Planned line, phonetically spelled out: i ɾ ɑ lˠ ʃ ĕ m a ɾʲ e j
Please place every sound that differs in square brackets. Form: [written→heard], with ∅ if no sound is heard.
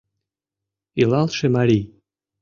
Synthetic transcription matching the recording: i [ɾ→l] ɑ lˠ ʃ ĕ m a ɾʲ [e→i] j